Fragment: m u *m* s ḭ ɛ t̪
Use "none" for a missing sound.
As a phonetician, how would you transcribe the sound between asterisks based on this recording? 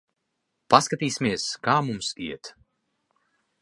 m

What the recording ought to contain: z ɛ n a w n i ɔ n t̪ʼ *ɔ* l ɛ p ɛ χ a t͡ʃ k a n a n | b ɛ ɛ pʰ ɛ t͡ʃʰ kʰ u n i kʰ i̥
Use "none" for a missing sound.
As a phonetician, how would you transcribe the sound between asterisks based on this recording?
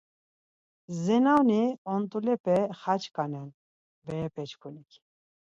u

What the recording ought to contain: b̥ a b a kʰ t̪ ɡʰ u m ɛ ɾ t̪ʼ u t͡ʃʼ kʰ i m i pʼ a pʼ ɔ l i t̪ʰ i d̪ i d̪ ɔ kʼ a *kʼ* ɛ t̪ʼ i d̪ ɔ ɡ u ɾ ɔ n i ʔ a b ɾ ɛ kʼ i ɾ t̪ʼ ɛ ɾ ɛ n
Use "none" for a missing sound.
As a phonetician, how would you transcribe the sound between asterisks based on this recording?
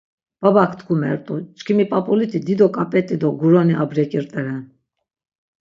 pʼ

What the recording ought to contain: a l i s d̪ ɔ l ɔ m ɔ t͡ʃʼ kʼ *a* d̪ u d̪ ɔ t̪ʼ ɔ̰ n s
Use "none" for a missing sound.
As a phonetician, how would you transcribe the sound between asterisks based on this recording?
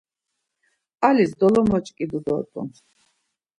i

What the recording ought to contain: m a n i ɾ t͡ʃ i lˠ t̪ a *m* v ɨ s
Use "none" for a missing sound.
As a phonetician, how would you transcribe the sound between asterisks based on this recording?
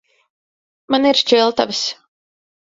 none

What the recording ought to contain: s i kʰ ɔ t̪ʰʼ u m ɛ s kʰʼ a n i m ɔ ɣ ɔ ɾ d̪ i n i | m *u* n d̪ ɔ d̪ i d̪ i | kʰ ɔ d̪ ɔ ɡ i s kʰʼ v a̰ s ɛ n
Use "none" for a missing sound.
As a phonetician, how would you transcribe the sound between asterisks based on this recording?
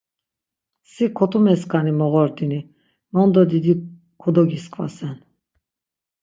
ɔ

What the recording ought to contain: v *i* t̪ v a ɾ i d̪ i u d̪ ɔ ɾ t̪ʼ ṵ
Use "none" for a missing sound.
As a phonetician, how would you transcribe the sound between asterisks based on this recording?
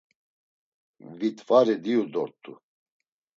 i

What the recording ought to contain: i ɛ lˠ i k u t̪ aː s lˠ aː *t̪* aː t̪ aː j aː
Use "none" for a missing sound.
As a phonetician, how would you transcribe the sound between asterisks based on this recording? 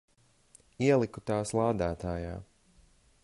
d̪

